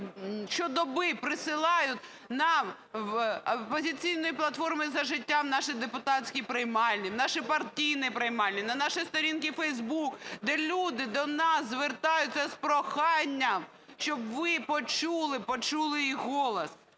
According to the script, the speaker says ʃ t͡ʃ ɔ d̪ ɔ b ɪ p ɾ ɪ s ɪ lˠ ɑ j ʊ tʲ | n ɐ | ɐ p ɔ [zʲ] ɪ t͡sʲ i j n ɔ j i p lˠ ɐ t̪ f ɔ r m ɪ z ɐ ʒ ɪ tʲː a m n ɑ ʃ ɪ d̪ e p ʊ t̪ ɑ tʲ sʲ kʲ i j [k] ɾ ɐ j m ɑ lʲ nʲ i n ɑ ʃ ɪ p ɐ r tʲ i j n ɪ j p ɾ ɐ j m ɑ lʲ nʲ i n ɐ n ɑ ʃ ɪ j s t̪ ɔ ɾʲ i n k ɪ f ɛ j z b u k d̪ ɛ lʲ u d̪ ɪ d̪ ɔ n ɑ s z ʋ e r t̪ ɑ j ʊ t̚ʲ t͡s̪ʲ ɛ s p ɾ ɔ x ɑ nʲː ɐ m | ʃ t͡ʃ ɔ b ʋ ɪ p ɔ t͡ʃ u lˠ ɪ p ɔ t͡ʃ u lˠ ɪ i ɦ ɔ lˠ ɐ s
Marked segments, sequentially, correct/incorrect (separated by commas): correct, incorrect